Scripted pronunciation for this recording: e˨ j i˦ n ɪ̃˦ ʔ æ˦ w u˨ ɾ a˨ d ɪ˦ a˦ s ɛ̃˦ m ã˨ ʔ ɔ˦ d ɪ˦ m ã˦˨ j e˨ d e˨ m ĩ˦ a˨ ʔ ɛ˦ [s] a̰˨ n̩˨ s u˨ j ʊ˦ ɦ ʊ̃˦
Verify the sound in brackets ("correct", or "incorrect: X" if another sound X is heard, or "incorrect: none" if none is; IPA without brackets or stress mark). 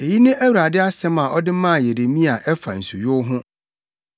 incorrect: f